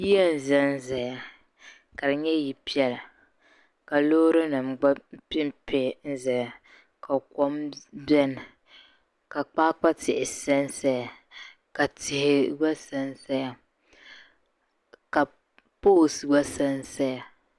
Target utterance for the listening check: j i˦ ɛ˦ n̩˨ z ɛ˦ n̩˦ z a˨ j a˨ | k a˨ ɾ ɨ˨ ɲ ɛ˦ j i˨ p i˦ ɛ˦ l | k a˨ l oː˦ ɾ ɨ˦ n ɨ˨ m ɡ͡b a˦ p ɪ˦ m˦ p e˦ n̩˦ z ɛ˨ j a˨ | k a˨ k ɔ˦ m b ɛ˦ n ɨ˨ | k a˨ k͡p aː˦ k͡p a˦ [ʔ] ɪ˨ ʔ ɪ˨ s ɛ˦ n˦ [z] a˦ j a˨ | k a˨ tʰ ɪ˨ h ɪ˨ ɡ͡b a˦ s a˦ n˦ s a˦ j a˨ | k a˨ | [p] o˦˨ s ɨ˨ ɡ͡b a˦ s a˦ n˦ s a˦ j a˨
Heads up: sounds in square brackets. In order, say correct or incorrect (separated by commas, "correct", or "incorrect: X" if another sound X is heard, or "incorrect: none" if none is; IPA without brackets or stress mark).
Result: incorrect: t, incorrect: s, correct